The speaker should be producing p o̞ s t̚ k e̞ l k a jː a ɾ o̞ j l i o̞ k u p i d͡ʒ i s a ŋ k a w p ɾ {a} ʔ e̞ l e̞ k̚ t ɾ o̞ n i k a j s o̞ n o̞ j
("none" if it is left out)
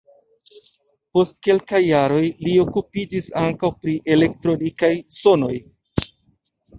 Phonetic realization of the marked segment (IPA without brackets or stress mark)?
i